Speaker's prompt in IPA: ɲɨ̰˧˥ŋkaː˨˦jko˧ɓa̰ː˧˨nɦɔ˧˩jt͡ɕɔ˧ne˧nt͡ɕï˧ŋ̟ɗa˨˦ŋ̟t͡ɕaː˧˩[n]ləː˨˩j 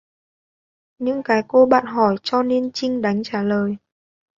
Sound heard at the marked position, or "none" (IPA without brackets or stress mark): none